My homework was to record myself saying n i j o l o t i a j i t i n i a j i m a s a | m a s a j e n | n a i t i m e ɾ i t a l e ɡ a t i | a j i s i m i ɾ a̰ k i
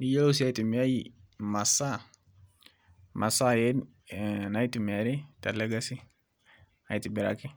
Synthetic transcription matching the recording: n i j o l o s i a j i t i m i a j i m a s a | m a s a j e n | n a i t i m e ɾ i t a l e ɡ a s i | a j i t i b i ɾ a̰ k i